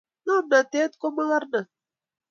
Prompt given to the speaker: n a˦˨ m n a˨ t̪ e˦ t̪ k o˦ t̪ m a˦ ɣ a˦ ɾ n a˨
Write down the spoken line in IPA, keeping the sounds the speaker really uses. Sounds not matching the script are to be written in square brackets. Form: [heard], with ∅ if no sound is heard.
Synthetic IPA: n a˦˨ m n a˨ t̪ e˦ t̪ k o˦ [∅] m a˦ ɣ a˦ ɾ n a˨